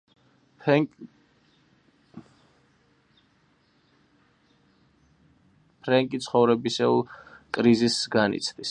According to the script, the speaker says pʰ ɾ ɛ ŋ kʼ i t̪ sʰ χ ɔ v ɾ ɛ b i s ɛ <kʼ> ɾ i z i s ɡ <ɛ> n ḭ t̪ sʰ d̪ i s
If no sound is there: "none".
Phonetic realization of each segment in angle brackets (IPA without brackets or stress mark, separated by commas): kʼ, a